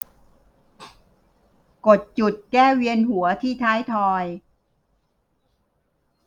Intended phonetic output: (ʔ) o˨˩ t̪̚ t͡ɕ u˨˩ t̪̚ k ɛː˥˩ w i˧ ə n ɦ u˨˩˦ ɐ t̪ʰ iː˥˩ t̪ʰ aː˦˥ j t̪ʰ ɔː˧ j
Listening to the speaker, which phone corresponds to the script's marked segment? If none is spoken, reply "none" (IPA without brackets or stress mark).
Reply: k